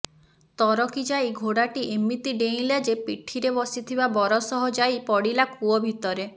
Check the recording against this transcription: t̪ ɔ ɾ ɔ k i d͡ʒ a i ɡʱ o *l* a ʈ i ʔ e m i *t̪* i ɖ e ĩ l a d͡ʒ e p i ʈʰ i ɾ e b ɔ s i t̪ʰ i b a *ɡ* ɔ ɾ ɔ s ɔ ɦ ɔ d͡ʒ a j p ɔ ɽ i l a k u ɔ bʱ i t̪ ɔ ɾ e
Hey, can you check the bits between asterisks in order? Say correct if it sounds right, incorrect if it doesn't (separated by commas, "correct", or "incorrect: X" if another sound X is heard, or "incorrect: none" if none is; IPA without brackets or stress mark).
incorrect: ɽ, correct, incorrect: b